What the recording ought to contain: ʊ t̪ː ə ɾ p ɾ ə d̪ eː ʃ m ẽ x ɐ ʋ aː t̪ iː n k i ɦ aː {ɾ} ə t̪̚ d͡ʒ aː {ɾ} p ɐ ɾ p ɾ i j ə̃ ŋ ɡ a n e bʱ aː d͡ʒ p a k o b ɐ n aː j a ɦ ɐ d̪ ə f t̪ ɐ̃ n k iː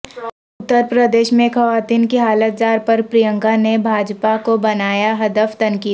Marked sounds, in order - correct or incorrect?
incorrect, correct

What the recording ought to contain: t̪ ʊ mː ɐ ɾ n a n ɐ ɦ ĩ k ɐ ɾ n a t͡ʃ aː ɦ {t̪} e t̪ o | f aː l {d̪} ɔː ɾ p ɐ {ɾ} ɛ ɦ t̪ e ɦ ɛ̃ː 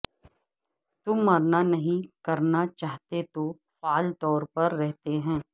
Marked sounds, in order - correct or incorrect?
correct, incorrect, incorrect

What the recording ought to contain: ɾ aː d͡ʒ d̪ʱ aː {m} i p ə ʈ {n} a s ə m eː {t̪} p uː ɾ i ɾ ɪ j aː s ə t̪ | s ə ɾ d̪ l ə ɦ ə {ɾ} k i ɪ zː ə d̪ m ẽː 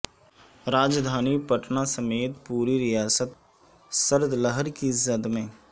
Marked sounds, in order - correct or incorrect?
incorrect, correct, correct, correct

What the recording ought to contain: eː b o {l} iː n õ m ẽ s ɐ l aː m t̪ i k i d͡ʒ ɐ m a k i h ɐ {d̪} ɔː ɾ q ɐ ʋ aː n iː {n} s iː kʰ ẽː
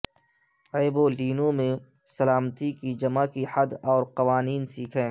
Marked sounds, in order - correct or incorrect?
correct, correct, correct

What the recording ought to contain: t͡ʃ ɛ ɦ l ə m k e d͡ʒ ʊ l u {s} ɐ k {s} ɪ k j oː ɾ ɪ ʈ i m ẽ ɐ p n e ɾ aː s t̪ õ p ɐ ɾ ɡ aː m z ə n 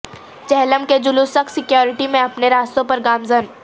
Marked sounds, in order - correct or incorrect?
correct, correct

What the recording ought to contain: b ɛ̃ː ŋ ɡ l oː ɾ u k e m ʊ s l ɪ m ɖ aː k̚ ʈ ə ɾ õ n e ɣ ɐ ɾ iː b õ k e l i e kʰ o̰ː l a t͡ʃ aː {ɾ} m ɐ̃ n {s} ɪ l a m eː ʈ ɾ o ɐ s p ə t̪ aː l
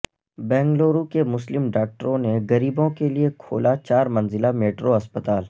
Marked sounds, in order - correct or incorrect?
correct, incorrect

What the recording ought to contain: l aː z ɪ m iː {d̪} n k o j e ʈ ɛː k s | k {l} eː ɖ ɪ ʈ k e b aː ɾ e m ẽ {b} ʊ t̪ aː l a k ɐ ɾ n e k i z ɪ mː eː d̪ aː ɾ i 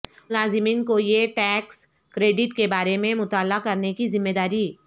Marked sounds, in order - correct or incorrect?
incorrect, incorrect, incorrect

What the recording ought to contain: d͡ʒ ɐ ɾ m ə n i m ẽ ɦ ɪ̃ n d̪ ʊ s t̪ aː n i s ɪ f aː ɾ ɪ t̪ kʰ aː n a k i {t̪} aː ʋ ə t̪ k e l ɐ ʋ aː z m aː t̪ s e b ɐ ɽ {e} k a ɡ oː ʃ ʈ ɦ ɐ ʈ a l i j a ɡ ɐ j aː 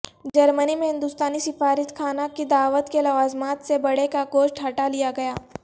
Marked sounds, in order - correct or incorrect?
incorrect, correct

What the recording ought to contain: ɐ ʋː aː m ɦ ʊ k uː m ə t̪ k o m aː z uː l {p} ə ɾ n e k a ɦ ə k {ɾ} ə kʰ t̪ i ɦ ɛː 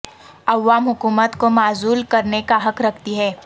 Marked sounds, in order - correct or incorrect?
incorrect, correct

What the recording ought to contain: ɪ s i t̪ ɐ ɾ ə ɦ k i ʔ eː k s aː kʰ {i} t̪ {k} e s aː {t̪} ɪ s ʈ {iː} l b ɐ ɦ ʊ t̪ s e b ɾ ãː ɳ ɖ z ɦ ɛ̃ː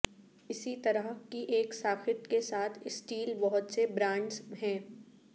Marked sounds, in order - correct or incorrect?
incorrect, correct, incorrect, correct

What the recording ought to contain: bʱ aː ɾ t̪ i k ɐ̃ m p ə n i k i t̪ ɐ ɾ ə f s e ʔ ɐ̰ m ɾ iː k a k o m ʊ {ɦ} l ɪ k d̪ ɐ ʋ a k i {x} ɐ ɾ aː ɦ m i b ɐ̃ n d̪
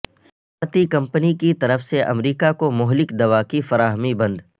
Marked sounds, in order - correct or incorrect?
correct, incorrect

